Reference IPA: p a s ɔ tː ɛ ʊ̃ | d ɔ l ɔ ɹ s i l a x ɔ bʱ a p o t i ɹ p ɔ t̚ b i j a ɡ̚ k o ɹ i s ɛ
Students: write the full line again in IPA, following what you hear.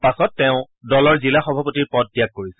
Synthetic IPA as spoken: p a s ɔ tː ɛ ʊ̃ | d ɔ l ɔ ɹ z i l a x ɔ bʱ a p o t i ɹ p ɔ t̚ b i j a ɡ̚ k o ɹ i s ɛ